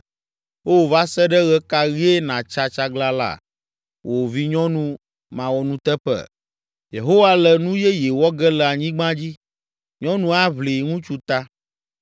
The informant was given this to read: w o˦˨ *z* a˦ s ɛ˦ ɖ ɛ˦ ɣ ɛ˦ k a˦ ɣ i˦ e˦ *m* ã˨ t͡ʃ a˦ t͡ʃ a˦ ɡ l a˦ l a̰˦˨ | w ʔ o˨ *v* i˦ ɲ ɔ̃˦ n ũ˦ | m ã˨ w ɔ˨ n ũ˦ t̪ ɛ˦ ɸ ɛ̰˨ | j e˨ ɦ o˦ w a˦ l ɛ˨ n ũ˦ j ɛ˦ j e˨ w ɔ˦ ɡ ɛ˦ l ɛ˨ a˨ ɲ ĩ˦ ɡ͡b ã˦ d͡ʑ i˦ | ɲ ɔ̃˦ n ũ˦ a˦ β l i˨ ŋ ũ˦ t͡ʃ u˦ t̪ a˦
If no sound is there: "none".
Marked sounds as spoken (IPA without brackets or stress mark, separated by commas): v, n, v